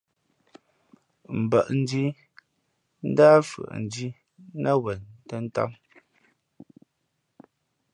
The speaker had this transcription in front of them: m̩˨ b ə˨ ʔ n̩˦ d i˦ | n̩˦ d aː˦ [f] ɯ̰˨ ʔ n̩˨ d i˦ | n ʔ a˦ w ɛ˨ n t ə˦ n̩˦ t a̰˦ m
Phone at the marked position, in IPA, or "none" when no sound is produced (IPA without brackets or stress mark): f